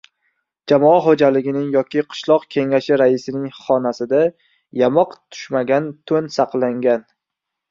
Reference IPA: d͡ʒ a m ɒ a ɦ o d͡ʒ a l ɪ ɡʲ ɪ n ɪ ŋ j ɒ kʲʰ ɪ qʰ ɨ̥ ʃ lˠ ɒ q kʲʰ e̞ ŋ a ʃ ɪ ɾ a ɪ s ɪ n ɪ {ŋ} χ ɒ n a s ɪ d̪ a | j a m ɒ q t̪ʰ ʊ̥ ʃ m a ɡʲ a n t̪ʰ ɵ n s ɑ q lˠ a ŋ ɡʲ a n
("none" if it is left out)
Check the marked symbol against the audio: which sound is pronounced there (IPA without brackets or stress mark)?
ŋ